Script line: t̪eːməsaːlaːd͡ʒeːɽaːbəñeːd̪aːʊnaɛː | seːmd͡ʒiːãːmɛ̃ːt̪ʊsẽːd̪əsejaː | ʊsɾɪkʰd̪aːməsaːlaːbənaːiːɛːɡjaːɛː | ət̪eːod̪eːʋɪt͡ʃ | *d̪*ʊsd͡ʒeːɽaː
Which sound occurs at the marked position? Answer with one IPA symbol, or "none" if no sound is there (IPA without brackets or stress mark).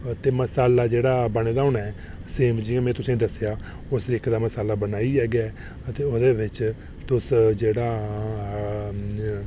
t̪